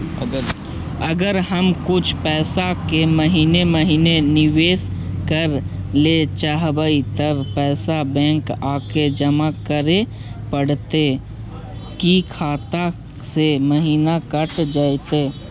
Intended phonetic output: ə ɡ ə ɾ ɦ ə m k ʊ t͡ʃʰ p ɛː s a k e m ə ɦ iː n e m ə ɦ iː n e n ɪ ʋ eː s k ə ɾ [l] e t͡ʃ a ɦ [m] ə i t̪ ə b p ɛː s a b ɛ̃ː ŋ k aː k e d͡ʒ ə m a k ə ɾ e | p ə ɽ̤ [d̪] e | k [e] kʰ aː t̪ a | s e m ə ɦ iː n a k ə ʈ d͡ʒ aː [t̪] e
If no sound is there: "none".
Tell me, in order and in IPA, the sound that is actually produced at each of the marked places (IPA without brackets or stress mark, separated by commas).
l, b, t̪, i, t̪